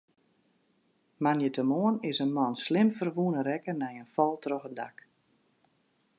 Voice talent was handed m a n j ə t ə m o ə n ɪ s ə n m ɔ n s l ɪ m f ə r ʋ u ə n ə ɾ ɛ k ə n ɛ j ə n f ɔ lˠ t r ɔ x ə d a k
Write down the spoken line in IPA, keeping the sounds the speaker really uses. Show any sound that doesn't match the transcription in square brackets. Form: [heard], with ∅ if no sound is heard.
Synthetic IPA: m a n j ə t ə m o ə n ɪ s ə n m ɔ n s l ɪ m f ə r ʋ u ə n ə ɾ ɛ k ə n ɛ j ə n f ɔ lˠ t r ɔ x ə d a k